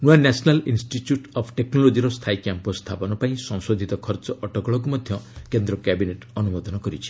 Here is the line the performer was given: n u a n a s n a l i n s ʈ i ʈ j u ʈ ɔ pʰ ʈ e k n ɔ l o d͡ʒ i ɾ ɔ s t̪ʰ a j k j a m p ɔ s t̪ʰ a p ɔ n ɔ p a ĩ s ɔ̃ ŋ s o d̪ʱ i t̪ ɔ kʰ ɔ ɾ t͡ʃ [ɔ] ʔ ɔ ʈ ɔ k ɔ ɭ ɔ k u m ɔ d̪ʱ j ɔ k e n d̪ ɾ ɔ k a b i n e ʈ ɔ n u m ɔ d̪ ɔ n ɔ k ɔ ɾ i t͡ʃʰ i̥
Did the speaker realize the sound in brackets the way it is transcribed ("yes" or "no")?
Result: yes